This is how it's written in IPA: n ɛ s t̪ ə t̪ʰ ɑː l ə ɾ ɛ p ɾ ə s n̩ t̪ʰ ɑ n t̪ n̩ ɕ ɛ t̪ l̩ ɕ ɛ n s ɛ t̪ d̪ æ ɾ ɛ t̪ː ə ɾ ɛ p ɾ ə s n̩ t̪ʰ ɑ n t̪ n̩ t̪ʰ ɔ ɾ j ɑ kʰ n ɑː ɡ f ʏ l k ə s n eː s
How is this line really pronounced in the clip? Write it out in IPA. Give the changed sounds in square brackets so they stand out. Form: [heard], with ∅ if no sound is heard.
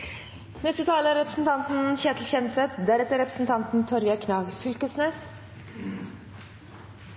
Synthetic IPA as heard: n ɛ s t̪ ə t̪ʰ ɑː l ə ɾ ɛ p ɾ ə s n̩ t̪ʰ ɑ n t̪ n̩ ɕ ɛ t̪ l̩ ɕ ɛ n s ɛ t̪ d̪ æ ɾ ɛ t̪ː ə ɾ ɛ p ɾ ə s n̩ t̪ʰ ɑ n t̪ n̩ t̪ʰ ɔ ɾ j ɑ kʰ n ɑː ɡ f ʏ l k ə s n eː s